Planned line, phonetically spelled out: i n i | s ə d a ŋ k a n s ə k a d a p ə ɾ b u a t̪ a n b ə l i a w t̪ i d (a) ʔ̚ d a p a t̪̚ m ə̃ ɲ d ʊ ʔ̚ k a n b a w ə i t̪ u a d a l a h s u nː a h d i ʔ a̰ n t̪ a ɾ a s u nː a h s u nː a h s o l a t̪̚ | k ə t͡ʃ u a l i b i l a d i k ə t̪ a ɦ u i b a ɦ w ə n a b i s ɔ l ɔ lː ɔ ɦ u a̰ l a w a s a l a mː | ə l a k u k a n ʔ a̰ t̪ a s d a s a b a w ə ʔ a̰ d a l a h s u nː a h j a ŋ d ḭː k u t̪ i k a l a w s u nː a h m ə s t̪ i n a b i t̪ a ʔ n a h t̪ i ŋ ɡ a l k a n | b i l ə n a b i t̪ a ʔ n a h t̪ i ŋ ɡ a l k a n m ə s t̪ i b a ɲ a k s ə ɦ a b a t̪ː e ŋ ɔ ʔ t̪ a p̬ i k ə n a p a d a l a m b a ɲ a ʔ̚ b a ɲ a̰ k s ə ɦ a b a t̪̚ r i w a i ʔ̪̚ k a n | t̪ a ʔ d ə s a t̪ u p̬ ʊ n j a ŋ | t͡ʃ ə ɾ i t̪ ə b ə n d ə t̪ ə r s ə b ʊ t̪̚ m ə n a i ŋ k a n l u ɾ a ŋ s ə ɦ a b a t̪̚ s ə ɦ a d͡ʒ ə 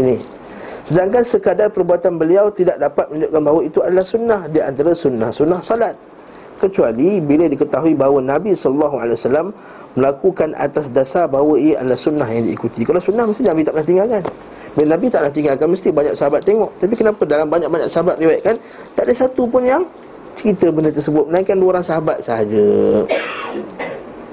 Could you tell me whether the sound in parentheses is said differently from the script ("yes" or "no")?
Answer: no